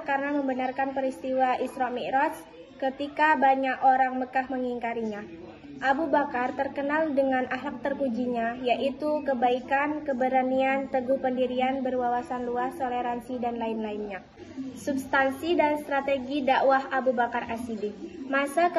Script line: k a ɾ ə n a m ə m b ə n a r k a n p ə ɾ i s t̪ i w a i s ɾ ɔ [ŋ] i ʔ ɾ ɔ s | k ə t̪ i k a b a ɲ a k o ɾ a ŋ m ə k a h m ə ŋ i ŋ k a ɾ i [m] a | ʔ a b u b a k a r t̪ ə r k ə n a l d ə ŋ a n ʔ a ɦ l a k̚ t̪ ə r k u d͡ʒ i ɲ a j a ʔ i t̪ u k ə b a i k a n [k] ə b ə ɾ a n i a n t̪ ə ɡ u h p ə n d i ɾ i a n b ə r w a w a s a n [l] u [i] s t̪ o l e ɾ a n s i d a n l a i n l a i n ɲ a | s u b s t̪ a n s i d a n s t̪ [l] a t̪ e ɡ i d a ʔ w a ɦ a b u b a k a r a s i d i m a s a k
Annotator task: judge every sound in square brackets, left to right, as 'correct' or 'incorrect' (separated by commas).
incorrect, incorrect, correct, correct, incorrect, incorrect